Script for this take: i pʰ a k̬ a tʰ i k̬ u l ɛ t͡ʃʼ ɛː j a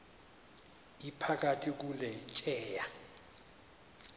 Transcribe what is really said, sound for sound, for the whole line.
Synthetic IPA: i pʰ a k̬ a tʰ i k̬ u l ɛ t͡ʃʼ ɛː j a